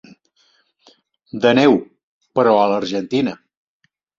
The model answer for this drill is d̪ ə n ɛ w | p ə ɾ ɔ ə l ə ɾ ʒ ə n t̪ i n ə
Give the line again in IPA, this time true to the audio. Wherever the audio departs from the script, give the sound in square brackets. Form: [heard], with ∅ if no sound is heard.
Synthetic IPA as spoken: d̪ ə n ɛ w | p ə ɾ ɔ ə l ə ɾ ʒ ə n t̪ i n ə